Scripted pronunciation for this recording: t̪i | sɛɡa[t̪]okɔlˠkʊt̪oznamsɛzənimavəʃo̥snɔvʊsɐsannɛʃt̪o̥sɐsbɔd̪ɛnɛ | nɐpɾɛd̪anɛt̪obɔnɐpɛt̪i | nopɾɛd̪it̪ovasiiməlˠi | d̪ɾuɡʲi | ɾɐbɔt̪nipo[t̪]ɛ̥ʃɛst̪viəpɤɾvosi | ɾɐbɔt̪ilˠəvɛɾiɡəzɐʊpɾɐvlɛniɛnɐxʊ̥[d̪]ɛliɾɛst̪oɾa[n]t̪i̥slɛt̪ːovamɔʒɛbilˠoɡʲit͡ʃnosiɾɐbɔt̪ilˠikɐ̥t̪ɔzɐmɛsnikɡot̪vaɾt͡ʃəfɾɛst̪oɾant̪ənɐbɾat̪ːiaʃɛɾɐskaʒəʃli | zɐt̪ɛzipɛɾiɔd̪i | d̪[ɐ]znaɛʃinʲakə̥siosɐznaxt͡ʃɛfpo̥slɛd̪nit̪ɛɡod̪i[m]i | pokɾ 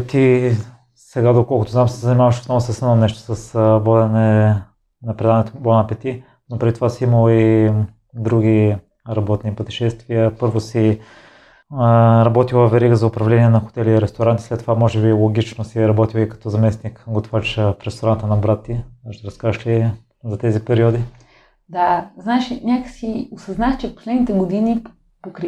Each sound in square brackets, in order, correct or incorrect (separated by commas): incorrect, correct, incorrect, correct, incorrect, incorrect